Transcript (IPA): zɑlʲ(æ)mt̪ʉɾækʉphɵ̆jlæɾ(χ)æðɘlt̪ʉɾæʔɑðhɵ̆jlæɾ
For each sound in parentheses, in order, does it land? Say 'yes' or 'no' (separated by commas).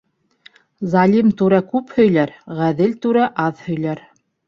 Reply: no, no